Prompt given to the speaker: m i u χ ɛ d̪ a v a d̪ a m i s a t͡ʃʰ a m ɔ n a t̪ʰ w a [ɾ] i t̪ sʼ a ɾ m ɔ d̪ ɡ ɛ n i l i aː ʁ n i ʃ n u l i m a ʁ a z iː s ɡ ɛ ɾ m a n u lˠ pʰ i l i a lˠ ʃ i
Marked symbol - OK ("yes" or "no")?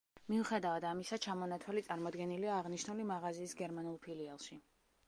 no